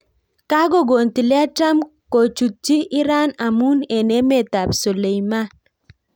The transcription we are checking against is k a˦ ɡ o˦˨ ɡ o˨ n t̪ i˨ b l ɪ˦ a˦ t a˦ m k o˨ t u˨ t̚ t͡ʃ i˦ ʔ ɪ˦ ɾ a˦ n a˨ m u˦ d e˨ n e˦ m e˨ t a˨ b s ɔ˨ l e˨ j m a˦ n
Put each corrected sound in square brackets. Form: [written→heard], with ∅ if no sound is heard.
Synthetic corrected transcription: k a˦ ɡ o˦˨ ɡ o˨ n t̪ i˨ [b→∅] l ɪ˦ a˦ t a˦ m k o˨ [t→t͡ʃ] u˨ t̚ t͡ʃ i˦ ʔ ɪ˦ ɾ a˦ n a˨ m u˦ [d→n] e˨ n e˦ m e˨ t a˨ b s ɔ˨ l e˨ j m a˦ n